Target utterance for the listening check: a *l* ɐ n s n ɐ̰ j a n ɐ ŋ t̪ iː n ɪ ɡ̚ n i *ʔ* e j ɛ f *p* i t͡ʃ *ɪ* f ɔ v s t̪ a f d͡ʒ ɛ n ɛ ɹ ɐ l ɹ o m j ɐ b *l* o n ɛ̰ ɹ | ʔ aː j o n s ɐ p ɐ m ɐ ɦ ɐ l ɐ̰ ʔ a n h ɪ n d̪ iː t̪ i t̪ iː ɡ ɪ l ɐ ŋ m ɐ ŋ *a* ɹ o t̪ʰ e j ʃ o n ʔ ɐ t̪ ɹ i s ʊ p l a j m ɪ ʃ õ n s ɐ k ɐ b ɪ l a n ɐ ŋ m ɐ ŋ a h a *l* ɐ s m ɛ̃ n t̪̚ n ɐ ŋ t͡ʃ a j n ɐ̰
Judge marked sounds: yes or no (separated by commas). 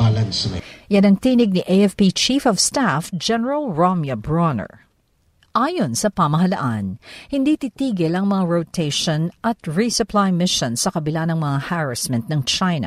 yes, yes, yes, no, no, yes, no